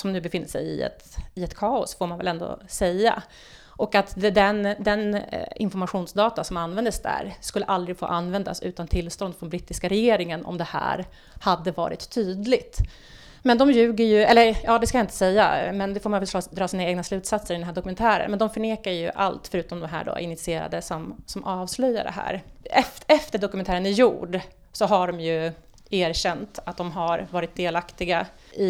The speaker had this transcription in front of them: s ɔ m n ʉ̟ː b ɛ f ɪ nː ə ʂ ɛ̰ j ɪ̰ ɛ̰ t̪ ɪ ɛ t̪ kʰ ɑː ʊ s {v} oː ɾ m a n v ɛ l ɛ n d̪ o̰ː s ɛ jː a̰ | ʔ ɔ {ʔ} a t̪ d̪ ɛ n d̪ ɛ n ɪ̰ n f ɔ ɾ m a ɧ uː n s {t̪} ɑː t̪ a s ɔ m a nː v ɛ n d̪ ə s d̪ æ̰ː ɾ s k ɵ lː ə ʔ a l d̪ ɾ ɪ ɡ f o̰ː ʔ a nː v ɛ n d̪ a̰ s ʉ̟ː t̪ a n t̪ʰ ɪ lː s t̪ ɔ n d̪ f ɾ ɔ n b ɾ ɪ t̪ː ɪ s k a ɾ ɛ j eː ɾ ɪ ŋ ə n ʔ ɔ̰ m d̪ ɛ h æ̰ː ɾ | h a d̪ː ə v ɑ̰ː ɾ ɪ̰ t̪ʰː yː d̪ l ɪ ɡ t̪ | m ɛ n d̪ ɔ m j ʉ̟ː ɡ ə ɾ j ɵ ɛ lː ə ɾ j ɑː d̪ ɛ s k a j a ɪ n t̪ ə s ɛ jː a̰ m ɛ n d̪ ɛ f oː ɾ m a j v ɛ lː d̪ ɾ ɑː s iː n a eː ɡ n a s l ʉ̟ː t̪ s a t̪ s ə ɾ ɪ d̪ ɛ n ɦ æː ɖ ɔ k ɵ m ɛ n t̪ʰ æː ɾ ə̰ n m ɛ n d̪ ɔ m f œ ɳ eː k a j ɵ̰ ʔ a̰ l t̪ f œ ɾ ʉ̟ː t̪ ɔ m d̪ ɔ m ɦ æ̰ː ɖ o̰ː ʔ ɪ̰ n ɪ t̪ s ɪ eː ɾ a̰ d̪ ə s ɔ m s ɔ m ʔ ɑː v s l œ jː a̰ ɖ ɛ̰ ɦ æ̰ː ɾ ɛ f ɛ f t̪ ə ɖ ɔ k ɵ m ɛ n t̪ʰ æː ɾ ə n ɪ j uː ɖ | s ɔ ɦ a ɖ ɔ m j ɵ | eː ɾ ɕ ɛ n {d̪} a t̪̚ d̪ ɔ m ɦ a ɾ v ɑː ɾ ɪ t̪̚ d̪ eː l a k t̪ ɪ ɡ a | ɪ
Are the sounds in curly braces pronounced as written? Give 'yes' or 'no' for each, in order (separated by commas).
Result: no, no, no, no